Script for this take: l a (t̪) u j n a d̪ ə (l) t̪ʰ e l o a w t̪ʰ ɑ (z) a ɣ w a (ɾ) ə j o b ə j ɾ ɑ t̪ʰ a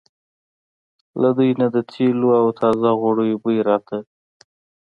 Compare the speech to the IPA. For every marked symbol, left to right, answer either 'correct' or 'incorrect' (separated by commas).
incorrect, incorrect, correct, incorrect